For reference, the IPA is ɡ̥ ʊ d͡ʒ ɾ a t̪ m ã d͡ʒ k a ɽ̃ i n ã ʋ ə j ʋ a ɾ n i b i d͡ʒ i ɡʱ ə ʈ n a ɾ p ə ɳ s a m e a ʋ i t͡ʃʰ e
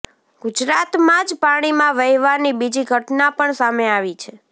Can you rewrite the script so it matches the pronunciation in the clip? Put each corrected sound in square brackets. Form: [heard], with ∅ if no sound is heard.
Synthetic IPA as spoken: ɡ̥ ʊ d͡ʒ ɾ a t̪ m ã d͡ʒ [p] a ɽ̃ i [m] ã ʋ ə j ʋ a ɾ n i b i d͡ʒ i ɡʱ ə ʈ n a [∅] p ə ɳ s a m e a ʋ i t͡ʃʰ e